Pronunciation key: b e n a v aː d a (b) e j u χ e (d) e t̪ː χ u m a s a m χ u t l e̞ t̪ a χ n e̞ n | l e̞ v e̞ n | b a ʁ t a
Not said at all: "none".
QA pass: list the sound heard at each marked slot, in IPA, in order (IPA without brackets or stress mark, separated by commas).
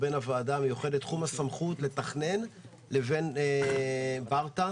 m, d